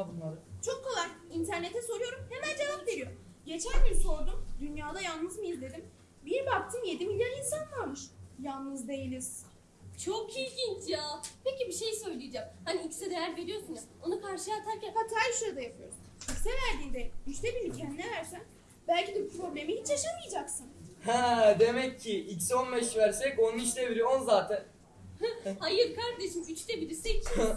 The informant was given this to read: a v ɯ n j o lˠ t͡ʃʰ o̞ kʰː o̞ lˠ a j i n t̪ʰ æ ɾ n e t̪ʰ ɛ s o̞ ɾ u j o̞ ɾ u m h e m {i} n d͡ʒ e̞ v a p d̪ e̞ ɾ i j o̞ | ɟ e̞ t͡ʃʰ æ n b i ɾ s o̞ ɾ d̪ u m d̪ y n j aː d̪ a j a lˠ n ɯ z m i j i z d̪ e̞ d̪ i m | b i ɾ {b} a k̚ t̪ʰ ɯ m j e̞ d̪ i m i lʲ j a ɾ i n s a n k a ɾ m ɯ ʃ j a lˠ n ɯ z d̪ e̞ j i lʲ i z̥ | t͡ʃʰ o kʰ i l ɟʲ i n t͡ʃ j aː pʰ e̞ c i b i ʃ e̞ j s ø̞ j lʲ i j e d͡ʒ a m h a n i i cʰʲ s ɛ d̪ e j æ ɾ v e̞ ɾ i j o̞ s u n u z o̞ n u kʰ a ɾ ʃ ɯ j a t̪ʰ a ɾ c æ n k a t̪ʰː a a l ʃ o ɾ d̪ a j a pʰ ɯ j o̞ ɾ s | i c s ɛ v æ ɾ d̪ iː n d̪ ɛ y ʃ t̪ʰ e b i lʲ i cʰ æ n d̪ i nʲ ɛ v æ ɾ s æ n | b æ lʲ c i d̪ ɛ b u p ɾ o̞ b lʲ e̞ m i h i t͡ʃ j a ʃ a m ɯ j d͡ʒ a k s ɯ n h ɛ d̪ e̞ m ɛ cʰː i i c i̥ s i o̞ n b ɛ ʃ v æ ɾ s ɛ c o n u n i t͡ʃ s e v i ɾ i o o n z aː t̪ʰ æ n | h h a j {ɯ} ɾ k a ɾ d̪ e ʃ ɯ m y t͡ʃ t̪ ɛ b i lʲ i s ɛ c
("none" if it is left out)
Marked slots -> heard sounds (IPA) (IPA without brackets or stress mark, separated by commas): æ, b, ɯ